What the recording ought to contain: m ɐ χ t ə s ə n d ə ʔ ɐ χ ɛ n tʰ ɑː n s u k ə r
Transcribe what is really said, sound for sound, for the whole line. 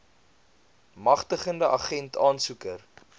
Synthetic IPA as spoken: m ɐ χ t ə χ ə n d ə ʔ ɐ χ ɛ n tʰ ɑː n s u k ə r